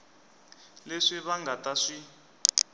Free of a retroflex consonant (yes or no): no